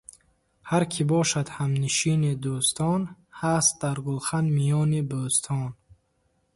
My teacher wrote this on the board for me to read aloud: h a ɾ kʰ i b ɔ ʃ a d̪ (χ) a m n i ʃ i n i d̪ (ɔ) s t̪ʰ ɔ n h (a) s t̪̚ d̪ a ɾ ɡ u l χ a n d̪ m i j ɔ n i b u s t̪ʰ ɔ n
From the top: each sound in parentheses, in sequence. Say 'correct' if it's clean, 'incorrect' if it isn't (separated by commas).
incorrect, incorrect, correct